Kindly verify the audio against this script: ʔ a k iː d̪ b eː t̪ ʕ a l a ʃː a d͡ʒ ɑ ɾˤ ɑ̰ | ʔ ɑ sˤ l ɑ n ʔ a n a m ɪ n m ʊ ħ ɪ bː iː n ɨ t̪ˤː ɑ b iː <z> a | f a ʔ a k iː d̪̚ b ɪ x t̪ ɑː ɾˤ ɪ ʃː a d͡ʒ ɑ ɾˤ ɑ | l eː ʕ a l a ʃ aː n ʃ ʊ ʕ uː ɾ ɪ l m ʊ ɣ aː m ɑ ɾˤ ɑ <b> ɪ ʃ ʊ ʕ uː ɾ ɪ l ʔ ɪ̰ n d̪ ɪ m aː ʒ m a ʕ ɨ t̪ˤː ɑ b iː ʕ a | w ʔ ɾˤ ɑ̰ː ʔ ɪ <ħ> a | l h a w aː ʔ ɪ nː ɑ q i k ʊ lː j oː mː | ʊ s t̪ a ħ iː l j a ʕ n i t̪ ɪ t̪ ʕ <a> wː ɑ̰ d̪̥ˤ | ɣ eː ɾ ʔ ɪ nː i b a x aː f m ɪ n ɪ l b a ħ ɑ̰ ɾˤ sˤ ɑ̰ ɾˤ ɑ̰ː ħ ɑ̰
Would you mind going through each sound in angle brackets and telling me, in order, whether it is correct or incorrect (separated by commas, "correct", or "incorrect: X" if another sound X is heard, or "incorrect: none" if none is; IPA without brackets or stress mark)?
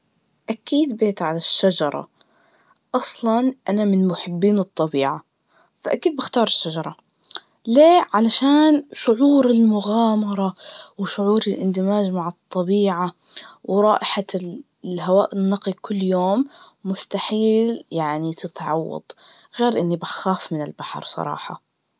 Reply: incorrect: ʕ, incorrect: w, correct, incorrect: ɑ